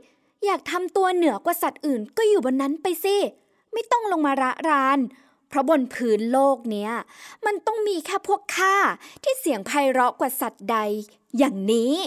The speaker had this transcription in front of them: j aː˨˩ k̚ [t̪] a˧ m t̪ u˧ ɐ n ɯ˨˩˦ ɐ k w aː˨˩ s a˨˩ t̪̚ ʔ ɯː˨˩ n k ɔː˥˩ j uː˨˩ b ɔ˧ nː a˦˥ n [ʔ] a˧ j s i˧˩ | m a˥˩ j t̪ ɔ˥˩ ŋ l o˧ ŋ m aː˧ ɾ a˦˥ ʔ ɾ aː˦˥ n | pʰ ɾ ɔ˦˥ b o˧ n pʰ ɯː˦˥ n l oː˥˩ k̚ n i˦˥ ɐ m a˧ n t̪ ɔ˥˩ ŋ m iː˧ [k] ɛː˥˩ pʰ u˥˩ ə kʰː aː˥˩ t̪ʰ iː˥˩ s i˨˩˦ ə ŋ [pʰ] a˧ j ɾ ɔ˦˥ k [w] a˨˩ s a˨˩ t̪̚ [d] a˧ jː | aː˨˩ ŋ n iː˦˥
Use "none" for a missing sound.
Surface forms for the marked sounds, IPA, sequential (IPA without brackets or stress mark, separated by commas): t̪ʰ, p, kʰ, pʰ, w, d